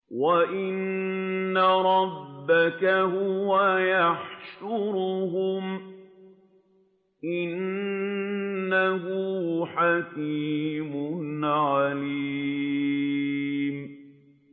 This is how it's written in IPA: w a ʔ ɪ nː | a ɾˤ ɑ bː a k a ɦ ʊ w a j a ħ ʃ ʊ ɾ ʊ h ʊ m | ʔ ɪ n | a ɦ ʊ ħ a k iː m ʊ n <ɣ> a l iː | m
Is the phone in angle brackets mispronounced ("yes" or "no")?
yes